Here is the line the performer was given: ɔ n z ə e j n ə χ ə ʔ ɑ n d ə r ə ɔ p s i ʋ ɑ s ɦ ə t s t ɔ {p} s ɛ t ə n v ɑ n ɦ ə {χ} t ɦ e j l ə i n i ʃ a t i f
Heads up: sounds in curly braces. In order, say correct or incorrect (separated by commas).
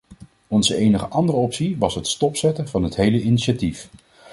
correct, incorrect